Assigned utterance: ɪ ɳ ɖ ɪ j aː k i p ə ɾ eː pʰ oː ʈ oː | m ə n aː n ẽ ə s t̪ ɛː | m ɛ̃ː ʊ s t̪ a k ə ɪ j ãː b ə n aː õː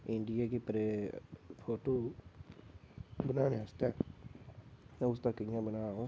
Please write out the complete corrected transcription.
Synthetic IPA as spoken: ɪ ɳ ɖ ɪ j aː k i p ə ɾ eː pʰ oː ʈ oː | b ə n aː n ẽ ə s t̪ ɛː | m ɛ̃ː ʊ s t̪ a k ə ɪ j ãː b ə n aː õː

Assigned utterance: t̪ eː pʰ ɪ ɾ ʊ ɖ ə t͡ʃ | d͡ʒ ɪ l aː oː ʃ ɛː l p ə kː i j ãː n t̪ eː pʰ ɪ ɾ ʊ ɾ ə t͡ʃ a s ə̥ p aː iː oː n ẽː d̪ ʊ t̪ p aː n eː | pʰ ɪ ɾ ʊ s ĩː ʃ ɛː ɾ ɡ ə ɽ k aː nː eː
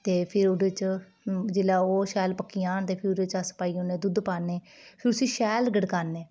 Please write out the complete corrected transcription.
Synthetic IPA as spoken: t̪ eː pʰ ɪ ɾ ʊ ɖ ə t͡ʃ | d͡ʒ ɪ l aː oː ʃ ɛː l p ə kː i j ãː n t̪ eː pʰ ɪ ɾ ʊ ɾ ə t͡ʃ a s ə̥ p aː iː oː n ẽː d̪ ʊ d̪ p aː n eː | pʰ ɪ ɾ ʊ s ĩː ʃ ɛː l ɡ ə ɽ k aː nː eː

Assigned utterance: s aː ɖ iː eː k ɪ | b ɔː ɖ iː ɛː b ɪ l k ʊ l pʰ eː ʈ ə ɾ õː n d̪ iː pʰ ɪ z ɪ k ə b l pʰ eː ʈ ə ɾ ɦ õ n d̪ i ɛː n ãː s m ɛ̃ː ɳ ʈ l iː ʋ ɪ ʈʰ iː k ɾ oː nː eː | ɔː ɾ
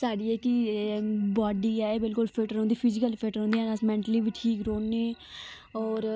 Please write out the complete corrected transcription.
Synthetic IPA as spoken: s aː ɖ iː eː k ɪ | b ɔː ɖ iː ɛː b ɪ l k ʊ l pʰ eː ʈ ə ɾ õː n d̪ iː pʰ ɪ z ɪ k ə l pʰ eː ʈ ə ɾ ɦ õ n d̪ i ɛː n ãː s m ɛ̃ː ɳ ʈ l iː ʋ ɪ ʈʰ iː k ɾ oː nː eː | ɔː ɾ

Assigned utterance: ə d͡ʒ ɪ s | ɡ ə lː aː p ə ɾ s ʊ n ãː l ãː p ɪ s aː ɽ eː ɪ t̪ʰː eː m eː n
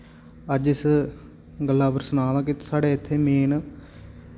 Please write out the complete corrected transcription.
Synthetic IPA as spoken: ə d͡ʒ ɪ s | ɡ ə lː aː p ə ɾ s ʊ n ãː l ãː k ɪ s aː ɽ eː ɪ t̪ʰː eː m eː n

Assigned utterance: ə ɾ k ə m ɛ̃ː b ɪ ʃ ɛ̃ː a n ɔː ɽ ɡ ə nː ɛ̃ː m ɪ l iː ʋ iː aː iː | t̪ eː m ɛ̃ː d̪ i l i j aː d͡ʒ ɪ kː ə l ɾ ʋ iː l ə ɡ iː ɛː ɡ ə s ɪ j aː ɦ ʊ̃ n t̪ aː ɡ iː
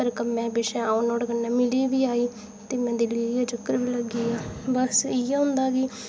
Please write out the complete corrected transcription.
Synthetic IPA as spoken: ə ɾ k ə m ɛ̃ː b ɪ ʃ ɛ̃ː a n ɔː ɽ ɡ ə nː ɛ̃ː m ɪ l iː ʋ iː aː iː | t̪ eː m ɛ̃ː d̪ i l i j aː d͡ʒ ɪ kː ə ɾ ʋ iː l ə ɡ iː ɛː b ə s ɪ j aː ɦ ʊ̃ n d̪ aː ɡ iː

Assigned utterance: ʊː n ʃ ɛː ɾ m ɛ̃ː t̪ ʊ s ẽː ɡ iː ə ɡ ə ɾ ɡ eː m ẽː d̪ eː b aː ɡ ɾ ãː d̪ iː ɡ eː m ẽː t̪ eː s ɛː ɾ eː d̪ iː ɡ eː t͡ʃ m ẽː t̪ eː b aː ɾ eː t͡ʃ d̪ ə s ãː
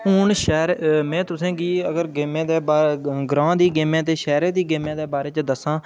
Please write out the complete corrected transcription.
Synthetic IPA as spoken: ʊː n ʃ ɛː ɾ m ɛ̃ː t̪ ʊ s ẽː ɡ iː ə ɡ ə ɾ ɡ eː m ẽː d̪ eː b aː ɡ ɾ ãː d̪ iː ɡ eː m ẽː t̪ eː ʃ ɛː ɾ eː d̪ iː ɡ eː m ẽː d̪ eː b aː ɾ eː t͡ʃ d̪ ə s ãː

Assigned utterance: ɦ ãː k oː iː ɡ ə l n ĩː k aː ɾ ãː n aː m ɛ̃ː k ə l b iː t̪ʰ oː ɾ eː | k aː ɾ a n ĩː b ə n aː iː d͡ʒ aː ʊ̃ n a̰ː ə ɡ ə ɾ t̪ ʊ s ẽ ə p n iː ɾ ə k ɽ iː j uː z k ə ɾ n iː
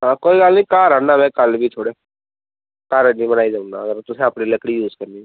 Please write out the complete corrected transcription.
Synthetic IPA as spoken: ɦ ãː k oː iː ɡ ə l n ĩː k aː ɾ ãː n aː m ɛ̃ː k ə l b iː t̪ʰ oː ɽ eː | k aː ɾ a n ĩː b ə n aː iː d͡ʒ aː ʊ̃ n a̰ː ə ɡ ə ɾ t̪ ʊ s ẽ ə p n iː l ə k ɽ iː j uː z k ə ɾ n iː

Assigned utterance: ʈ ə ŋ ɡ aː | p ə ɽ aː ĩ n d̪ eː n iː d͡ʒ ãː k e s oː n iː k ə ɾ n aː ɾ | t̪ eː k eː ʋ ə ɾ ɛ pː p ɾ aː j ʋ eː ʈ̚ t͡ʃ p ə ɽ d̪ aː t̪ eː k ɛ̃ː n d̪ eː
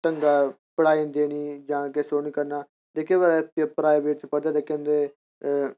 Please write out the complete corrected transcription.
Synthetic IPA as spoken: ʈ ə ŋ ɡ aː | p ə ɽ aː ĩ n d̪ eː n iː d͡ʒ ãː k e s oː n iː k ə ɾ n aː | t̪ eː k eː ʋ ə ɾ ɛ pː p ɾ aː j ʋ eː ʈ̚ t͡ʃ p ə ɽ d̪ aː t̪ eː k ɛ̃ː n d̪ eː

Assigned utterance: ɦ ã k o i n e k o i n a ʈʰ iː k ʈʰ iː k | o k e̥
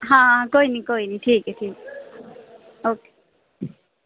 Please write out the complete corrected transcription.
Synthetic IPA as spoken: ɦ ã k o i n i k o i n i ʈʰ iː k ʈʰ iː k | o k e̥

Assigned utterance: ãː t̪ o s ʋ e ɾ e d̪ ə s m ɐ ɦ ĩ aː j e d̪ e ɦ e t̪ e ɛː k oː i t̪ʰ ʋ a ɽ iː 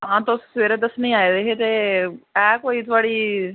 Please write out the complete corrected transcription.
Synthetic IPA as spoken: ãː t̪ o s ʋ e ɾ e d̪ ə s n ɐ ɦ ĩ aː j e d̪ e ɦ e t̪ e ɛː k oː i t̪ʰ ʋ a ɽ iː

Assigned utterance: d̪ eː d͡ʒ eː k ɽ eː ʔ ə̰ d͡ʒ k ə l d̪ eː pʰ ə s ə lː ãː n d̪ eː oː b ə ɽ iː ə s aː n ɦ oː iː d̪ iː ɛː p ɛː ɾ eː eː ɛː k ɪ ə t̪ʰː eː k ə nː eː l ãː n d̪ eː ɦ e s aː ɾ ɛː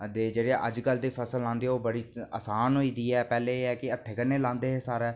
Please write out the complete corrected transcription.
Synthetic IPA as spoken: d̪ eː d͡ʒ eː ɽ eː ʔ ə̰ d͡ʒ k ə l d̪ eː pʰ ə s ə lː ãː n d̪ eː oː b ə ɽ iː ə s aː n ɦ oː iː d̪ iː ɛː p ɛː l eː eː ɛː k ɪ ə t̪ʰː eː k ə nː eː l ãː n d̪ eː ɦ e s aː ɾ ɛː

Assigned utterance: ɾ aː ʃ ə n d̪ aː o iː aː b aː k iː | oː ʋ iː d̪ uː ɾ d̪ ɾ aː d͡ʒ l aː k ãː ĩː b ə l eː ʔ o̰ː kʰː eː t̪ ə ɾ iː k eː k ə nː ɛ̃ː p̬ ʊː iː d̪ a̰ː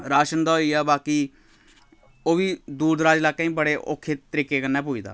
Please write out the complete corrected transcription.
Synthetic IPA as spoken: ɾ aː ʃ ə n d̪ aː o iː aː b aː k iː | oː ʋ iː d̪ uː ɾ d̪ ɾ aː d͡ʒ l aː k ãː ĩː b ə ɽ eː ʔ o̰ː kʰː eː t̪ ə ɾ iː k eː k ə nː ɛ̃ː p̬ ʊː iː d̪ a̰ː

